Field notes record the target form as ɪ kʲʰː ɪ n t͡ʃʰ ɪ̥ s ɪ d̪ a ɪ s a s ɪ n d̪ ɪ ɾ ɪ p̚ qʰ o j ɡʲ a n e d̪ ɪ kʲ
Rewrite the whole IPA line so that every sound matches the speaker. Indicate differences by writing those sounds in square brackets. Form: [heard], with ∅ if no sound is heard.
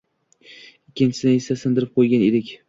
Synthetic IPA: ɪ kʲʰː ɪ n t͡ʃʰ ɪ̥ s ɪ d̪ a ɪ s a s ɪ n d̪ ɪ ɾ ɪ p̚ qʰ o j ɡʲ a n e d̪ ɪ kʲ